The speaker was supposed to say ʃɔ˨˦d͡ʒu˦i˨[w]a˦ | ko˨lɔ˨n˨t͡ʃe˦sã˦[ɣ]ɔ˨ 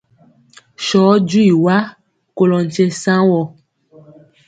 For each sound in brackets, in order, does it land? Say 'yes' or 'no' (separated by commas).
yes, no